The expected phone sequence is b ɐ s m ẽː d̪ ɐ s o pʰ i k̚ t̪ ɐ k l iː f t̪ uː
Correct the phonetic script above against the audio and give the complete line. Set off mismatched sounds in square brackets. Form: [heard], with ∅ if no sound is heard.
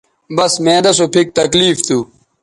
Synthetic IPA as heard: b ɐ s m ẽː d̪ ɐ s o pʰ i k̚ t̪ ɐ k l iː f t̪ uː